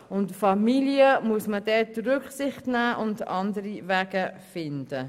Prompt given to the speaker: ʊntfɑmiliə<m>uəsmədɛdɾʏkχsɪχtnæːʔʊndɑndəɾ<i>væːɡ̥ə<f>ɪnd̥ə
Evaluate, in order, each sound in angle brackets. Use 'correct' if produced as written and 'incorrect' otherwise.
correct, correct, correct

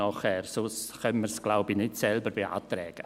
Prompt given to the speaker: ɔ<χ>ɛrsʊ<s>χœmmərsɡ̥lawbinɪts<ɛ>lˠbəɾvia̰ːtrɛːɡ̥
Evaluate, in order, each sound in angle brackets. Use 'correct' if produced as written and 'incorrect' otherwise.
correct, correct, correct

